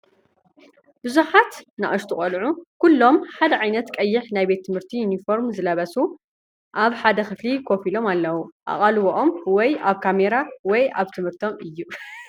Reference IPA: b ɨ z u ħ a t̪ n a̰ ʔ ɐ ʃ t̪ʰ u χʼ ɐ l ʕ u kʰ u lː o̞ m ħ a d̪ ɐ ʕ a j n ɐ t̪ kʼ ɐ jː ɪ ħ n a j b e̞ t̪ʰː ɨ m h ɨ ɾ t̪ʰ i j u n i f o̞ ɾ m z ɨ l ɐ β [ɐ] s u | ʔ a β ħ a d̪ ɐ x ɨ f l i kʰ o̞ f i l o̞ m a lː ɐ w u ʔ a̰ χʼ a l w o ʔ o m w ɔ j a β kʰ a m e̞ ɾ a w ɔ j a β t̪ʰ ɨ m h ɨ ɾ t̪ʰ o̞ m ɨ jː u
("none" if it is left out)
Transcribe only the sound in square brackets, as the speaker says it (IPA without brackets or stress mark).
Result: ɐ